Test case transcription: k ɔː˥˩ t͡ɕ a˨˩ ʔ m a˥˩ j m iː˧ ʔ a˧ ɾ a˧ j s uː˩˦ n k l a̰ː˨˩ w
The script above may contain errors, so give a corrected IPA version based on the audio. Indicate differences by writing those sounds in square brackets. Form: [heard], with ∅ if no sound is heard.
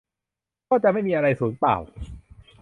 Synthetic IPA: k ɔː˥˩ t͡ɕ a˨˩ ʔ m a˥˩ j m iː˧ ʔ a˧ ɾ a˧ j s uː˩˦ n [p] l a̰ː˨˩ w